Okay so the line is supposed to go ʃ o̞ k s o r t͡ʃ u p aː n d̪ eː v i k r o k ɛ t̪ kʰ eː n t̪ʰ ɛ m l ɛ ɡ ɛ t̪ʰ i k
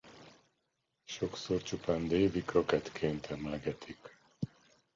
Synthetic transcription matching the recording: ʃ o̞ k s o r t͡ʃ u p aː n d̪ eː v i k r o k ɛ t̪ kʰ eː n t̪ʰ ɛ m l ɛ ɡ ɛ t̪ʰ i k